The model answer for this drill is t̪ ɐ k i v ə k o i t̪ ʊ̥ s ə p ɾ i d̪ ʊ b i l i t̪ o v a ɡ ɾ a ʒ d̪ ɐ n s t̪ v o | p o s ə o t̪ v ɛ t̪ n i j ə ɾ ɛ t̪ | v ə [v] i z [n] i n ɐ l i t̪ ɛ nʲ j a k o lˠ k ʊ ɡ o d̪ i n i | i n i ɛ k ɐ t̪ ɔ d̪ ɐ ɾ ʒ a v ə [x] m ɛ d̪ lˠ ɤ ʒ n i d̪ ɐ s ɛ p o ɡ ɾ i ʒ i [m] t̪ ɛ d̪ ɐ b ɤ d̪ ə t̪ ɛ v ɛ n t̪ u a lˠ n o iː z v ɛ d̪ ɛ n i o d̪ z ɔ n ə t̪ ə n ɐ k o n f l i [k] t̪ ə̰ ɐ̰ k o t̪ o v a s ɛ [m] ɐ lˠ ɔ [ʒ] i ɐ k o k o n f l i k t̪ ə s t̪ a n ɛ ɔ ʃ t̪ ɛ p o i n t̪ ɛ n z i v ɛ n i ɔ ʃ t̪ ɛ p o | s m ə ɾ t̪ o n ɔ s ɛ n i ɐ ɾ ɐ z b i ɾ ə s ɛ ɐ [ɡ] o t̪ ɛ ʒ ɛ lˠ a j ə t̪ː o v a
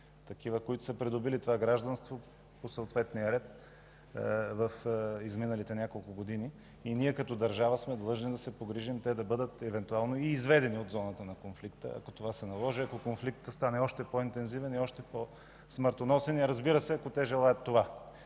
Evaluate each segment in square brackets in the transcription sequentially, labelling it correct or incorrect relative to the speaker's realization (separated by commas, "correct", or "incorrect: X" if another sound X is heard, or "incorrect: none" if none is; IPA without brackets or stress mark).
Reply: incorrect: f, incorrect: m, incorrect: s, correct, correct, incorrect: n, correct, incorrect: k